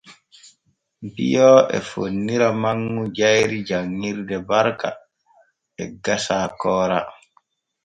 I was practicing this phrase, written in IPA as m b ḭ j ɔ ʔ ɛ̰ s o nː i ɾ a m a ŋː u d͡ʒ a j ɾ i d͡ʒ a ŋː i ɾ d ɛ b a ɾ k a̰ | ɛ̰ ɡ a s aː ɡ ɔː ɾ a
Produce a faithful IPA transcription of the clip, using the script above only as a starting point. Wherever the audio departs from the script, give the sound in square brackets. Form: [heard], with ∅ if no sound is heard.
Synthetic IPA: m b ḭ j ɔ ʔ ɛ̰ [f] o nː i ɾ a m a ŋː u d͡ʒ a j ɾ i d͡ʒ a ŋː i ɾ d ɛ b a ɾ k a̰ | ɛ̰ ɡ a s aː [k] ɔː ɾ a